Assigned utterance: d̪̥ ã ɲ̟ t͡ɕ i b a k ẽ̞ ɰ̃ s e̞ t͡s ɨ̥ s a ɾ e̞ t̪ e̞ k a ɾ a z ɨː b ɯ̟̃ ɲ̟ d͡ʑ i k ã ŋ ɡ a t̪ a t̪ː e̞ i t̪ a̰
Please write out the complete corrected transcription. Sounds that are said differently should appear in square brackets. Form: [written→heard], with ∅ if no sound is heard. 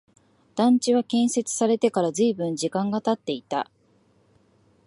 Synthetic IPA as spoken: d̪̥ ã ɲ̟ t͡ɕ i [b→β] a k ẽ̞ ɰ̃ s e̞ t͡s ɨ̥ s a ɾ e̞ t̪ e̞ k a ɾ a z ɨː b ɯ̟̃ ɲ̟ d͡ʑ i k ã ŋ ɡ a t̪ a t̪ː e̞ i t̪ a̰